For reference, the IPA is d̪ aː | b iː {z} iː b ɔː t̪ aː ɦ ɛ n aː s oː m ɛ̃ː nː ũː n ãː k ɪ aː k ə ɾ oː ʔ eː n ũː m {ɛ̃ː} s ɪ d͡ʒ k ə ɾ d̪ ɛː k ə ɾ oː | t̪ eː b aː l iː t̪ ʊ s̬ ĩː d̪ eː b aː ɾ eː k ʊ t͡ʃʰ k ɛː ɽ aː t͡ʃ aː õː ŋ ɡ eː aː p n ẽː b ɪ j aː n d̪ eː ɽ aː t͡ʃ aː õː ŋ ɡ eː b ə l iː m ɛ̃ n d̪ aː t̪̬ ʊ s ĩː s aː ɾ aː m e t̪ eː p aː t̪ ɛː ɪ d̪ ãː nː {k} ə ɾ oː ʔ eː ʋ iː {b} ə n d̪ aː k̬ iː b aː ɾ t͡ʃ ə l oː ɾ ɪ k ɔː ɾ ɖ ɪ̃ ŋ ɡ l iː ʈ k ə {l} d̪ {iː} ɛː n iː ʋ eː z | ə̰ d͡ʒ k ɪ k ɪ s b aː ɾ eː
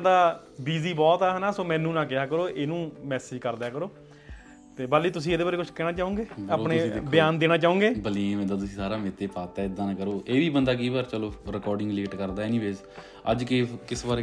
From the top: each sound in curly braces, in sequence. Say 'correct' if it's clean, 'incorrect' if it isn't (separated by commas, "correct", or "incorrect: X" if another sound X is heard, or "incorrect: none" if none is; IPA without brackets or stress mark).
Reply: correct, incorrect: ɛː, correct, correct, incorrect: ɾ, incorrect: aː